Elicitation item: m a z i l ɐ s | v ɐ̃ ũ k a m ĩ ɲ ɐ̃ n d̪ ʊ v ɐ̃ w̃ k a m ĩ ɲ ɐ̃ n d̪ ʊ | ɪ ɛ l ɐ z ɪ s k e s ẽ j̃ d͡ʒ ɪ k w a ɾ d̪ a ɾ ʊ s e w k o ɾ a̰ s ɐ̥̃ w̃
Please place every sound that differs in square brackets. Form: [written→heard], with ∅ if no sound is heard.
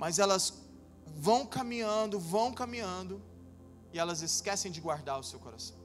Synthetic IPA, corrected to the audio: m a z [i→ɛ] l ɐ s | v ɐ̃ [ũ→w̃] k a m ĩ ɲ ɐ̃ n d̪ ʊ v ɐ̃ w̃ k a m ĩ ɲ ɐ̃ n d̪ ʊ | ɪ ɛ l ɐ z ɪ s k [e→ɛ] s ẽ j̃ d͡ʒ ɪ [k→ɡ] w a ɾ d̪ a ɾ ʊ s e w k o ɾ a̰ s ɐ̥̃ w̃